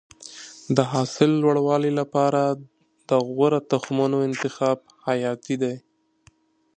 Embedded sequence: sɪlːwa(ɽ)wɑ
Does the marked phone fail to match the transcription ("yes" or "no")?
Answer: no